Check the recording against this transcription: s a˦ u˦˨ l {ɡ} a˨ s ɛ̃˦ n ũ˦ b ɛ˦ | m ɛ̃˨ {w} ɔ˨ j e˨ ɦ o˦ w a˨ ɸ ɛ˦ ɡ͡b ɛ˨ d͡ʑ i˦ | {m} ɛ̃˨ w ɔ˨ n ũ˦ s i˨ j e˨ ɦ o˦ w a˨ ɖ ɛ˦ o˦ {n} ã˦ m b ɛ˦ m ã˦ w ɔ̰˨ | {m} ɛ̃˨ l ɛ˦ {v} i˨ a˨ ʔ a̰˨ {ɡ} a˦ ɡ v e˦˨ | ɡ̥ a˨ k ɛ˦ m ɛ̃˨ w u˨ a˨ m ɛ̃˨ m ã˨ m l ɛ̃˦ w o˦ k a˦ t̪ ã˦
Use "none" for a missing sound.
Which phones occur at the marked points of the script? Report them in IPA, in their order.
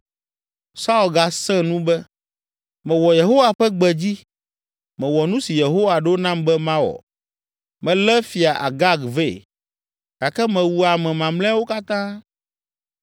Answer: ɡ, w, m, n, m, f, ɡ

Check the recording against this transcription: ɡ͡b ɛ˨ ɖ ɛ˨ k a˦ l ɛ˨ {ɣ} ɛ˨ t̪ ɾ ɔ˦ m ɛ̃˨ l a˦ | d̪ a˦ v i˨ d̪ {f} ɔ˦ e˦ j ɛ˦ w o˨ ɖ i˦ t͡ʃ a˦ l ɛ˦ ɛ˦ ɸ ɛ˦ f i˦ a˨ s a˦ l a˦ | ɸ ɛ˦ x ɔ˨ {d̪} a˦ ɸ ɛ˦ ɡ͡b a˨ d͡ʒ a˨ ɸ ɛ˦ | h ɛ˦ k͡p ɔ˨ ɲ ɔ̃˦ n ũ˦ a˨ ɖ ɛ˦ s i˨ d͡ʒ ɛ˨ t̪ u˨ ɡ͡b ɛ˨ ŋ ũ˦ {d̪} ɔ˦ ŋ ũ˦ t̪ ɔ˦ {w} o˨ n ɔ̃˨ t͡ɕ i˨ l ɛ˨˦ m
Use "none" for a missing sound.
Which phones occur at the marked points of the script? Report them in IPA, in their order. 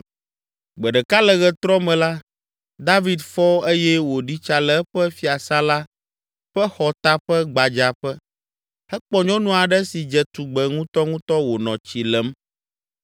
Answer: ɣ, f, t̪, t̪, w

